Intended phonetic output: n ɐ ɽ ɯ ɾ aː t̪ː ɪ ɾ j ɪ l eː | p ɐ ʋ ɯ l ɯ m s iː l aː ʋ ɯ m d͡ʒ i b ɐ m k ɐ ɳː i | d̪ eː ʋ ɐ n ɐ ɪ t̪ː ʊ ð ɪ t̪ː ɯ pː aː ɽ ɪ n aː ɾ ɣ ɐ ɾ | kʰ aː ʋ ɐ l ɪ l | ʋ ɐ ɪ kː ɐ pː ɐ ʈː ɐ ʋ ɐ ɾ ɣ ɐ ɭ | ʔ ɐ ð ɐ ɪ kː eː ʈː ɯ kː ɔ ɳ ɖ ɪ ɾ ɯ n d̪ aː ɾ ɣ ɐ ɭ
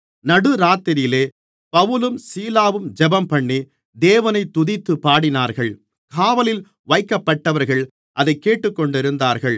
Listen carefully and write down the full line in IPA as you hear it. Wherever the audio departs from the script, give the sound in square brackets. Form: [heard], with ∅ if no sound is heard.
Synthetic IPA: n ɐ ɽ ɯ ɾ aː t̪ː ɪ ɾ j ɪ l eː | p ɐ ʋ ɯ l ɯ m s iː l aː ʋ ɯ m d͡ʒ [ɛ] b ɐ m [p] ɐ ɳː i | d̪ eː ʋ ɐ n ɐ ɪ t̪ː ʊ ð ɪ t̪ː ɯ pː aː ɽ ɪ n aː ɾ ɣ ɐ [ɭ] | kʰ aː ʋ ɐ l ɪ l | ʋ ɐ ɪ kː ɐ pː ɐ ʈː ɐ ʋ ɐ ɾ ɣ ɐ ɭ | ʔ ɐ ð ɐ ɪ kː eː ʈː ɯ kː ɔ ɳ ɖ ɪ ɾ ɯ n d̪ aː ɾ ɣ ɐ ɭ